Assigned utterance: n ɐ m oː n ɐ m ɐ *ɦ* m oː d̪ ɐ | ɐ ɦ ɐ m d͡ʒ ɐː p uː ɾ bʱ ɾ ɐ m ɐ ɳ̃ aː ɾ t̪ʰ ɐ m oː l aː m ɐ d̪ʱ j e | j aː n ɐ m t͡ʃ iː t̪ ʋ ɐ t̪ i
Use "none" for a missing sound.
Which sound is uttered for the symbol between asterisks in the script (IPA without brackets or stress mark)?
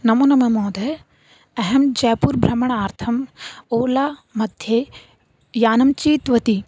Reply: none